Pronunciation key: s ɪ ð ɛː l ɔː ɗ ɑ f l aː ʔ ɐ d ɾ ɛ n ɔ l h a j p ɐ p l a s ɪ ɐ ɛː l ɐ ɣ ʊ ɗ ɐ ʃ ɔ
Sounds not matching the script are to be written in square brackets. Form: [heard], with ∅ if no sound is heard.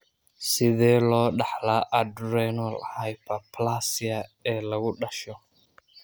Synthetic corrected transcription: s ɪ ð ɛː l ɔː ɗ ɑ [ħ] l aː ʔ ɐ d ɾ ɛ n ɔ l h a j p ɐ p l a s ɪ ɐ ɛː l ɐ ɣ ʊ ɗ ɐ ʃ ɔ